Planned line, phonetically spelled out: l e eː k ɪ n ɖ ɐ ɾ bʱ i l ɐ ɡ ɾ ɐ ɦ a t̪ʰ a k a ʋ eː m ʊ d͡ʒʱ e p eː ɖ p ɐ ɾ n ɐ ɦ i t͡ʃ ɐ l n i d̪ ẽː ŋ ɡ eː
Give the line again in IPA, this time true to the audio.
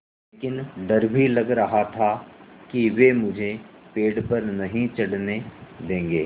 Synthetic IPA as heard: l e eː k ɪ n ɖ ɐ ɾ bʱ i l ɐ ɡ ɾ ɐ ɦ a t̪ʰ a k i ʋ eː m ʊ d͡ʒʱ e p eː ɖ p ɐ ɾ n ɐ ɦ ĩ t͡ʃ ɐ ɽ n e d̪ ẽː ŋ ɡ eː